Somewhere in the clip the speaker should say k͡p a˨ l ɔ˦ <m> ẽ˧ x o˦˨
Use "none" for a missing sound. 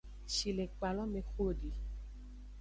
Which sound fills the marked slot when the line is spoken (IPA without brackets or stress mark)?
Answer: m